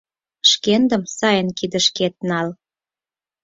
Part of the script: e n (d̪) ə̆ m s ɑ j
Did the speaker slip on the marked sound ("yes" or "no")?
no